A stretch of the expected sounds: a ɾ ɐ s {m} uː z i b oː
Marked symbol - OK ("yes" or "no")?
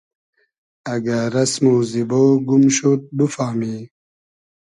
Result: yes